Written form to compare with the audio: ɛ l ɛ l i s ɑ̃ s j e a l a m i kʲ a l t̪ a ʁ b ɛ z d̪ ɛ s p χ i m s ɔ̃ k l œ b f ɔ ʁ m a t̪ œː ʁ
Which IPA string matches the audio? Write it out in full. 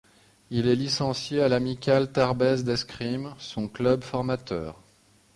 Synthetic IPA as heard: i l ɛ l i s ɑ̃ s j e a l a m i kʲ a l t̪ a ʁ b ɛ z d̪ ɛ s k χ i m s ɔ̃ k l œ b f ɔ ʁ m a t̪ œː ʁ